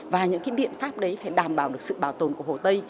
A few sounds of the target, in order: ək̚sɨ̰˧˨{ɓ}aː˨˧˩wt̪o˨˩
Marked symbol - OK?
yes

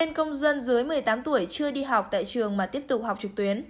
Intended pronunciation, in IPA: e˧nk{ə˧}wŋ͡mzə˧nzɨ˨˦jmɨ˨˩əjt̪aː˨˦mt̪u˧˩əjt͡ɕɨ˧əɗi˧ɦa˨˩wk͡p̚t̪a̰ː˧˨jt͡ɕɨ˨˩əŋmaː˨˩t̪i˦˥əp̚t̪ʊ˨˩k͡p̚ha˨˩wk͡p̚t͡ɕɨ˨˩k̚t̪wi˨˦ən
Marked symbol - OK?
yes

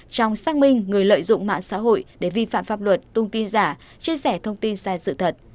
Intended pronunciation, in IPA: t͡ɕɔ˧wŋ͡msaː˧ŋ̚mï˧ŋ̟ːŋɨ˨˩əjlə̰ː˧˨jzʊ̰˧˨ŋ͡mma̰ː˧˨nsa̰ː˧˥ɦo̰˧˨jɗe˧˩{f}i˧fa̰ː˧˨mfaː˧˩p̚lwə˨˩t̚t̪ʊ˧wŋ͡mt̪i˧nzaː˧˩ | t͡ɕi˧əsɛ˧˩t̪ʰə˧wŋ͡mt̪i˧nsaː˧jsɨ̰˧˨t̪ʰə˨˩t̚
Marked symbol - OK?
no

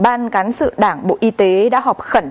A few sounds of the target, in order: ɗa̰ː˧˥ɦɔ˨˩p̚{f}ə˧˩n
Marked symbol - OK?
no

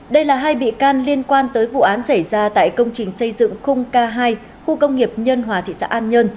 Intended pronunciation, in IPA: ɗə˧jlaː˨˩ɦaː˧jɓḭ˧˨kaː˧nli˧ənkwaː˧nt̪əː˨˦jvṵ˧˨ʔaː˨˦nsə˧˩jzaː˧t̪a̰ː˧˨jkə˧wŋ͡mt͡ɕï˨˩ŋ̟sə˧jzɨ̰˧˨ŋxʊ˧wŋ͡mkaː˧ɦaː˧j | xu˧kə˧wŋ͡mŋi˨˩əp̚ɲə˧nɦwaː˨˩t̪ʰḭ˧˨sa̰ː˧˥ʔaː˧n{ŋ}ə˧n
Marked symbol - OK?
no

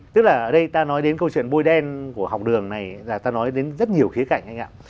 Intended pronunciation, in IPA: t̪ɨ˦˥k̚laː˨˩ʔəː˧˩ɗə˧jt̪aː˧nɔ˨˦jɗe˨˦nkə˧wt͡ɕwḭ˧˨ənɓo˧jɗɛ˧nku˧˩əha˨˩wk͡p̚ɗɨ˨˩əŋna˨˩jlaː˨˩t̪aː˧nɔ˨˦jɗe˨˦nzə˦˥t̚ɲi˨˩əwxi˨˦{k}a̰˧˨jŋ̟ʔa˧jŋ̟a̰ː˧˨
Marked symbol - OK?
yes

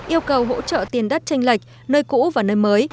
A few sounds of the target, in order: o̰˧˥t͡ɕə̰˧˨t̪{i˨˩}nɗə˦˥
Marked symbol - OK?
yes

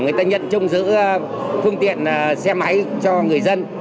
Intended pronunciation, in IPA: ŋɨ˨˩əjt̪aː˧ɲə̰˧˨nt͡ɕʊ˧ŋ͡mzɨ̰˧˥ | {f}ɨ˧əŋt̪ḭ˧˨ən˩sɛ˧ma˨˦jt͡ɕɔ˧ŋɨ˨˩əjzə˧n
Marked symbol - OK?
yes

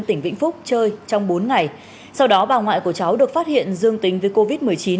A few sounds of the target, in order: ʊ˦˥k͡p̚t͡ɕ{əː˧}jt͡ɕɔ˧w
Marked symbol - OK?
yes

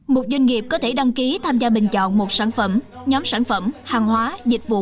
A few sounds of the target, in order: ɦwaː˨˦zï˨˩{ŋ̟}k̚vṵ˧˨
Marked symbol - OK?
no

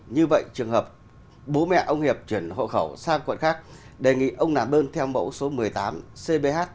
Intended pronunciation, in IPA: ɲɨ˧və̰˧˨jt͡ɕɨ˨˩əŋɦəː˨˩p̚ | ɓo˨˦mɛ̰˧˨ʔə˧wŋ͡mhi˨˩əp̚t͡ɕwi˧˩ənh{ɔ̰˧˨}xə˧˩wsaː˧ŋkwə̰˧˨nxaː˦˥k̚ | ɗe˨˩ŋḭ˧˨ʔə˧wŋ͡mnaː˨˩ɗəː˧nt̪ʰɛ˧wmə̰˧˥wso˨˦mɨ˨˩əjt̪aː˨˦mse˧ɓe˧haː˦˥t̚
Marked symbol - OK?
no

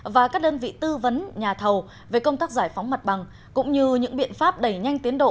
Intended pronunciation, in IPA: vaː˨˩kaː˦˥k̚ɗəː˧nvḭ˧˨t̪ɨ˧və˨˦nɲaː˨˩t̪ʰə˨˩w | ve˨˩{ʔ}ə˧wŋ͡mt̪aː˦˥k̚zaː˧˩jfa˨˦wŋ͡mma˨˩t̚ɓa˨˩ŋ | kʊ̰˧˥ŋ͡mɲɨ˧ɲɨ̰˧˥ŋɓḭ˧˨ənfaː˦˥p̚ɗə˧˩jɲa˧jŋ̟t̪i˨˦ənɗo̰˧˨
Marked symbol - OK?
no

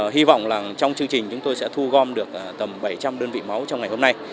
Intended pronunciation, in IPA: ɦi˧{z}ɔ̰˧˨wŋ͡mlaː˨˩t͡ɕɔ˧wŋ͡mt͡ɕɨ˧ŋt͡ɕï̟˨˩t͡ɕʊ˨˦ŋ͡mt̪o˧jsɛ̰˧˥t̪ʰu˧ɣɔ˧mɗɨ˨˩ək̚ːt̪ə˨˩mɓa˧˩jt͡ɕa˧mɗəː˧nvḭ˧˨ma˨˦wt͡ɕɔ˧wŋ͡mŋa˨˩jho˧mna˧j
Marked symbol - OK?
no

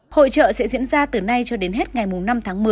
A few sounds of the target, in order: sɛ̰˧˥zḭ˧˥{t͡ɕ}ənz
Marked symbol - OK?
no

